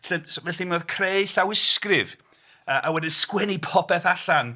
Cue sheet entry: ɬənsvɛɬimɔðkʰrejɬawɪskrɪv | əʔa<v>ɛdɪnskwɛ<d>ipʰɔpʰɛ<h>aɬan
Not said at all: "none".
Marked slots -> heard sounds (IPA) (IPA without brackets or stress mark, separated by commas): w, n, θ